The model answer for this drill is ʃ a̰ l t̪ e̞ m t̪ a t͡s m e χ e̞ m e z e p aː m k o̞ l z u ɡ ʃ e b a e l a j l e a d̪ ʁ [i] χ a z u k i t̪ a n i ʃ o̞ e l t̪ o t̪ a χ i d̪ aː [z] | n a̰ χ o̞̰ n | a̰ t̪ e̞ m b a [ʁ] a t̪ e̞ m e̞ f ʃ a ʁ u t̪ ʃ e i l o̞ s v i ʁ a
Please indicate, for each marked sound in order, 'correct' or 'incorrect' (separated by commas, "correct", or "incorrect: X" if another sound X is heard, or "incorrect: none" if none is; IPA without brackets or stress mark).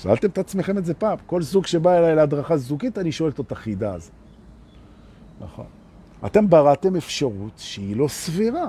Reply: incorrect: a, correct, correct